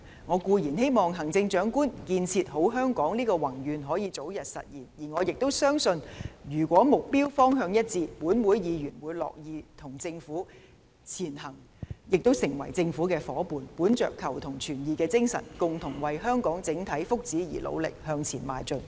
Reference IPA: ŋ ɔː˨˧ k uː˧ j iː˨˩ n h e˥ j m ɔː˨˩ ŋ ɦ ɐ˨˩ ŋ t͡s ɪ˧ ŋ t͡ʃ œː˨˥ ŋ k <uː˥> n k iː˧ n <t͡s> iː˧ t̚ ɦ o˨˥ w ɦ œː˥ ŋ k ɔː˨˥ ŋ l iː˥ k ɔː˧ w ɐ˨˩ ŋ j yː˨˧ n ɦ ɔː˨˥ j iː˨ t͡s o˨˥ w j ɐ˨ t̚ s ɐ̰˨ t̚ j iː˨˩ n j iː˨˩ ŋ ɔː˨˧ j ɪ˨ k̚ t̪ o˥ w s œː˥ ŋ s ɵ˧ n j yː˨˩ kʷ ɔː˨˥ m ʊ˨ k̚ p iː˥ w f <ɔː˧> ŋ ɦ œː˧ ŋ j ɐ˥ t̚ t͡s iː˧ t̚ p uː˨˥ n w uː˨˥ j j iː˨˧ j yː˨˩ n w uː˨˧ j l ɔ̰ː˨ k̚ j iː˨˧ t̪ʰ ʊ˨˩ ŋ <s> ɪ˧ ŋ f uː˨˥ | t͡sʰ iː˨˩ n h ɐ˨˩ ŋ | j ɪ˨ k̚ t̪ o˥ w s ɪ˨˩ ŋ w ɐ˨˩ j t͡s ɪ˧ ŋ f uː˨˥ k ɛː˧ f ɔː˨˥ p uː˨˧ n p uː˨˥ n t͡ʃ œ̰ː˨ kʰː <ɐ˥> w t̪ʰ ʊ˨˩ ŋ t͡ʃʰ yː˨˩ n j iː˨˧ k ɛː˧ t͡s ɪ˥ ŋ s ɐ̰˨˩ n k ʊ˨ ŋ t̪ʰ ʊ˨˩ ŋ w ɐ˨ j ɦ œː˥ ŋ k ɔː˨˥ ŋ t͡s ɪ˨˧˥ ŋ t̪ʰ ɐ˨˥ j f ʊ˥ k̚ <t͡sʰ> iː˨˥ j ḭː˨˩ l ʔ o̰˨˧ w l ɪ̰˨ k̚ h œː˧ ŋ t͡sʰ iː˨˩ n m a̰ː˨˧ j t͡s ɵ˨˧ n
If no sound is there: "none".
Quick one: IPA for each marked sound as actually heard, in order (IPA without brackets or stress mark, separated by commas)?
uː˥, t͡sʰ, ɔː˥, t͡s, ɐ˨˩, t͡s